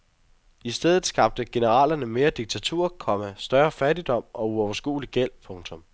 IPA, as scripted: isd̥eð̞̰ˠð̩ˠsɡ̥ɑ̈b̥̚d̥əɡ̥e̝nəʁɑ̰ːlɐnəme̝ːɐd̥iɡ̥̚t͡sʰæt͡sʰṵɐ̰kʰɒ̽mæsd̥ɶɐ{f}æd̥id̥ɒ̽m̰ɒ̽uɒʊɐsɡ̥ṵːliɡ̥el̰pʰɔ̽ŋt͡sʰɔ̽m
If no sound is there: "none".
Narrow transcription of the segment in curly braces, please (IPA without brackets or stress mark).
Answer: f